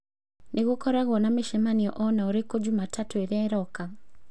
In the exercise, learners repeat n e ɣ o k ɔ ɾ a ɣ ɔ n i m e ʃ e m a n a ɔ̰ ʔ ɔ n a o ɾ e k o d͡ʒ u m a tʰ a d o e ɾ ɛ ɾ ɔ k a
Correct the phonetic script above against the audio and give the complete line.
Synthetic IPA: n e ɣ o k ɔ ɾ a ɣ ɔ n a m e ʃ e m a n i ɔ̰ ʔ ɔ n a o ɾ e k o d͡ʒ u m a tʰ a t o e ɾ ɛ ɾ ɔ k a